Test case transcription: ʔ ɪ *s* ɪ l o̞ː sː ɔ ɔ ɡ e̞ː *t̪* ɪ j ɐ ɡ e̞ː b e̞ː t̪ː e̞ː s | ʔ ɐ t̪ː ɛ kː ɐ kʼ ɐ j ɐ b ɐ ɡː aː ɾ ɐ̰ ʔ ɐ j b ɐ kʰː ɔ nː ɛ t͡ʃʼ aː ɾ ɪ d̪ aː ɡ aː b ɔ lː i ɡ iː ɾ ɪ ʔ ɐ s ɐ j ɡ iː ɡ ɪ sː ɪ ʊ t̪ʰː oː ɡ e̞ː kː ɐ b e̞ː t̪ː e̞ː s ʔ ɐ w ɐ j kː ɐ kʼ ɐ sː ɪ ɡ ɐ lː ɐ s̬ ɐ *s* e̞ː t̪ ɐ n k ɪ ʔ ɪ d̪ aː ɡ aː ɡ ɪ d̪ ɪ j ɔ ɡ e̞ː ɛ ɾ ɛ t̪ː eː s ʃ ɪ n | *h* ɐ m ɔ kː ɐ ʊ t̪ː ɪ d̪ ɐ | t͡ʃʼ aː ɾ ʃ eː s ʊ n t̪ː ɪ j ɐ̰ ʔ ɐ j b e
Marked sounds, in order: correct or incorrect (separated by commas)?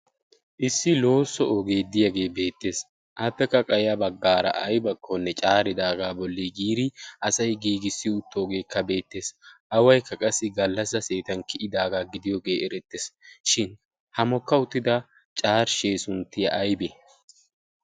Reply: incorrect, incorrect, correct, correct